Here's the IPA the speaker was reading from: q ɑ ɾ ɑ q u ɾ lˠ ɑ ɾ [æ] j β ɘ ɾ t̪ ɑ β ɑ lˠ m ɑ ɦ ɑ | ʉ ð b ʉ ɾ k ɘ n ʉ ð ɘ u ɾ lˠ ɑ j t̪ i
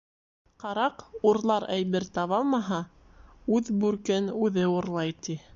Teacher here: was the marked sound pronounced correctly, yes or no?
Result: yes